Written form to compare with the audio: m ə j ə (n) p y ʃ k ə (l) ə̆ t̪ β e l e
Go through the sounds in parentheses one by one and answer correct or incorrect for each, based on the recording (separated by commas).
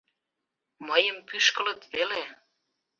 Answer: incorrect, correct